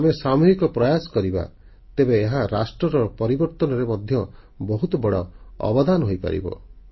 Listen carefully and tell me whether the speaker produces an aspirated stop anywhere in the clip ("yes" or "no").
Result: no